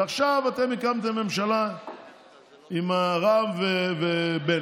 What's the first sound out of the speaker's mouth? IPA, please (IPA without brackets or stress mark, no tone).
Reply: a